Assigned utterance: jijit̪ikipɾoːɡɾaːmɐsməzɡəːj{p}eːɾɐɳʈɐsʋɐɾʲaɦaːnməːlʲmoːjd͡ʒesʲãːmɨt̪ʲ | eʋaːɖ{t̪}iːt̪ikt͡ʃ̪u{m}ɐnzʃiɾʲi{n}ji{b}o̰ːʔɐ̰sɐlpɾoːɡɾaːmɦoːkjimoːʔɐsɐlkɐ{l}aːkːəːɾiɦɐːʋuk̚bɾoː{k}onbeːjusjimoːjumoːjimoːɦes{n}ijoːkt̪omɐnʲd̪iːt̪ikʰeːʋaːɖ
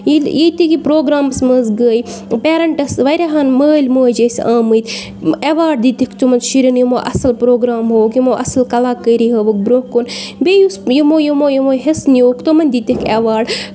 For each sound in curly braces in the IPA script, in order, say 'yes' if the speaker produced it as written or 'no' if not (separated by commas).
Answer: yes, no, yes, yes, no, yes, yes, yes